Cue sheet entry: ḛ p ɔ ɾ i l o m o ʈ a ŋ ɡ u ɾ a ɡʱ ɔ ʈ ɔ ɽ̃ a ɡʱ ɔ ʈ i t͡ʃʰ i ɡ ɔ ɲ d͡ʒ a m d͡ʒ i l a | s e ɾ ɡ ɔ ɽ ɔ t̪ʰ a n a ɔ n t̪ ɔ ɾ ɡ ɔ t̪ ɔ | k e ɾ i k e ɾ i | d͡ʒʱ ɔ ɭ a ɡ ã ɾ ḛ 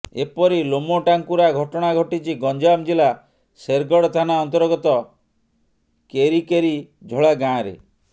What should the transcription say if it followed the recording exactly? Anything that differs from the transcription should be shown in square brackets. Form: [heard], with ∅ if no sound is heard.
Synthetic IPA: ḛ p ɔ ɾ i l o m o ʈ a ŋ [k] u ɾ a ɡʱ ɔ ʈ ɔ ɽ̃ a ɡʱ ɔ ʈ i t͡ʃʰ i ɡ ɔ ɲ d͡ʒ a m d͡ʒ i l a | s e ɾ ɡ ɔ ɽ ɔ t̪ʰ a n a ɔ n t̪ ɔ ɾ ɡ ɔ t̪ ɔ | k e ɾ i k e ɾ i | d͡ʒʱ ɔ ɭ a ɡ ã ɾ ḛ

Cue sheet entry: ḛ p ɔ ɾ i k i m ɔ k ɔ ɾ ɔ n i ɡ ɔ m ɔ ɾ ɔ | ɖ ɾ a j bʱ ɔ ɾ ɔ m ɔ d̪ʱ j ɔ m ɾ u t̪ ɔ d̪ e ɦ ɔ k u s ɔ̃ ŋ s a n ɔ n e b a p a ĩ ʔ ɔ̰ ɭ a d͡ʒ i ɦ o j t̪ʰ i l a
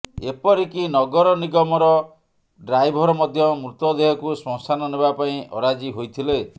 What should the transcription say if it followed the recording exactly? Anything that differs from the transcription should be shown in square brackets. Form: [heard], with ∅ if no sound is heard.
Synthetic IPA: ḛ p ɔ ɾ i k i [n] ɔ [ɡ] ɔ ɾ ɔ n i ɡ ɔ m ɔ ɾ ɔ | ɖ ɾ a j bʱ ɔ ɾ ɔ m ɔ d̪ʱ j ɔ m ɾ u t̪ ɔ d̪ e ɦ ɔ k u s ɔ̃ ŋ s a n ɔ n e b a p a ĩ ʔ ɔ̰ [ɾ] a d͡ʒ i ɦ o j t̪ʰ i l [e]

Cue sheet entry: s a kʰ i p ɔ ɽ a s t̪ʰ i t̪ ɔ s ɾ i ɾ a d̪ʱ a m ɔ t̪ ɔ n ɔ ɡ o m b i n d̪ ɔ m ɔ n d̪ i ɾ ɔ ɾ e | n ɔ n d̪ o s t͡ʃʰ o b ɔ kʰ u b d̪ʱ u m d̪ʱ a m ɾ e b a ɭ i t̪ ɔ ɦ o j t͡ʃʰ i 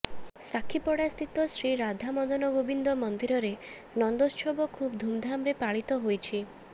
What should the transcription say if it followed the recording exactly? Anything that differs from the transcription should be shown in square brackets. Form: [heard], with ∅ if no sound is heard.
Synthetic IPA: s a kʰ i p ɔ ɽ a s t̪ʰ i t̪ ɔ s ɾ i ɾ a d̪ʱ a m ɔ [d̪] ɔ n ɔ ɡ o [∅] b i n d̪ ɔ m ɔ n d̪ i ɾ ɔ ɾ e | n ɔ n d̪ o s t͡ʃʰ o b ɔ kʰ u b d̪ʱ u m d̪ʱ a m ɾ e [p] a ɭ i t̪ ɔ ɦ o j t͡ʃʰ i

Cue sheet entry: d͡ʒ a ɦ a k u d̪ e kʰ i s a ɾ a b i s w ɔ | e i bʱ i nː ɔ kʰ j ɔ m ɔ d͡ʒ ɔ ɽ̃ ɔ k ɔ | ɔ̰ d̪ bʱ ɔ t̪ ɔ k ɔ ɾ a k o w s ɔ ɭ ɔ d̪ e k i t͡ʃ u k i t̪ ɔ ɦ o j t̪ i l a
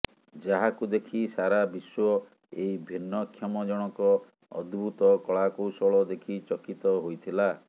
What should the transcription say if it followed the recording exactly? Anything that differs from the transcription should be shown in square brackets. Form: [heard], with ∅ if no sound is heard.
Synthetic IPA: d͡ʒ a ɦ a k u d̪ e kʰ i s a ɾ a b i s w ɔ | e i bʱ i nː ɔ kʰ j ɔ m ɔ d͡ʒ ɔ ɽ̃ ɔ k ɔ | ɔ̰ d̪ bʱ [u] t̪ ɔ k ɔ [ɭ] a k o w s ɔ ɭ ɔ d̪ e [kʰ] i t͡ʃ [ɔ] k i t̪ ɔ ɦ o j [t̪ʰ] i l a

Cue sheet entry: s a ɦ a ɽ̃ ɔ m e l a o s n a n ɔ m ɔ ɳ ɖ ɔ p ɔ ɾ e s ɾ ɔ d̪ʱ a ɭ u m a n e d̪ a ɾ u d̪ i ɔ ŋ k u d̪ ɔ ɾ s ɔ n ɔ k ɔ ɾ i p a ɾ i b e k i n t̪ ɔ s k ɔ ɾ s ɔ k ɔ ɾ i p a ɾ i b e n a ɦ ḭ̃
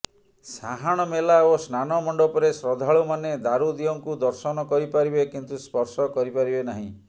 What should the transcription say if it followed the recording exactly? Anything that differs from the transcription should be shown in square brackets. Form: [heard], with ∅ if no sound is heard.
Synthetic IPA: s a ɦ a ɽ̃ ɔ m e l a o s n a n ɔ m ɔ ɳ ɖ ɔ p ɔ ɾ e s ɾ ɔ d̪ʱ a ɭ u m a n e d̪ a ɾ u d̪ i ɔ ŋ k u d̪ ɔ ɾ s ɔ n ɔ k ɔ ɾ i p a ɾ i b e k i n t̪ [u] s [p] ɔ ɾ s ɔ k ɔ ɾ i p a ɾ i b e n a ɦ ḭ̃

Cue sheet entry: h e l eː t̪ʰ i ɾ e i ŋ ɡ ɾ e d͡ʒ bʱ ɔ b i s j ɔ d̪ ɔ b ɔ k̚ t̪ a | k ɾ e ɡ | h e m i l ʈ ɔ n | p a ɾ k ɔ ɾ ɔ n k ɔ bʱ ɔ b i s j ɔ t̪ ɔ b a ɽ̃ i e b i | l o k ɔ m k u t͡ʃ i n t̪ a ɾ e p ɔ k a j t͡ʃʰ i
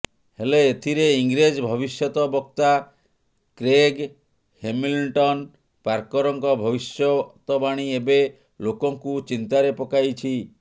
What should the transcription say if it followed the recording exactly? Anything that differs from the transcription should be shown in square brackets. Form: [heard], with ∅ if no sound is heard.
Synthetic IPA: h e l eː t̪ʰ i ɾ e i ŋ ɡ ɾ e d͡ʒ bʱ ɔ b i s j ɔ [t̪] ɔ b ɔ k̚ t̪ a | k ɾ e ɡ | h e m i l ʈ ɔ n | p a ɾ k ɔ ɾ ɔ [ŋ] k ɔ bʱ ɔ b i s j ɔ t̪ ɔ b a ɽ̃ i e b [e] | l o k ɔ [ŋ] k u t͡ʃ i n t̪ a ɾ e p ɔ k a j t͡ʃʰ i

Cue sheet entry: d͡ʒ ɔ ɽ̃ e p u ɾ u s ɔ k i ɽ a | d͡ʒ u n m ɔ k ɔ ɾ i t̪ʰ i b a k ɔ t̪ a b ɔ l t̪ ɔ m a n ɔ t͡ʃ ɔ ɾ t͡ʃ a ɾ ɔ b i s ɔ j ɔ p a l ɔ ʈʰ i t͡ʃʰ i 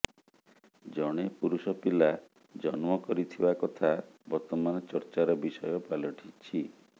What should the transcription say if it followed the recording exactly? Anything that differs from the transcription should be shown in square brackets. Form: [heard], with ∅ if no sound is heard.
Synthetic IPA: d͡ʒ ɔ ɽ̃ e p u ɾ u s ɔ [p] i [l] a | d͡ʒ [ɔ] n m ɔ k ɔ ɾ i t̪ʰ i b a k ɔ [t̪ʰ] a b ɔ [ɾ] t̪ ɔ m a n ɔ t͡ʃ ɔ ɾ t͡ʃ a ɾ ɔ b i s ɔ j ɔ p a l ɔ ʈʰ i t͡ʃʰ i

